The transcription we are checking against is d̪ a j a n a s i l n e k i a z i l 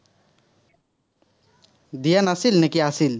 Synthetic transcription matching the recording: d̪ i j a n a s i l n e k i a s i l